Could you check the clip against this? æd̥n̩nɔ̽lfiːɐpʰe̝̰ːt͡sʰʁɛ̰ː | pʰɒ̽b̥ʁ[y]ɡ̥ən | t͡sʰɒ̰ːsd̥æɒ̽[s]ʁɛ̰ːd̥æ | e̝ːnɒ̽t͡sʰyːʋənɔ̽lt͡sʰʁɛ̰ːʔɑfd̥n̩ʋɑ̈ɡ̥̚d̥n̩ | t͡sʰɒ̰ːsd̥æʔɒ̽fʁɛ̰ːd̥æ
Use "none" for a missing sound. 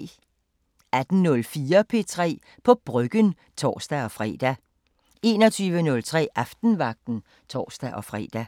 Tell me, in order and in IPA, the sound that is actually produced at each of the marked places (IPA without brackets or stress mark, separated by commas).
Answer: œ, f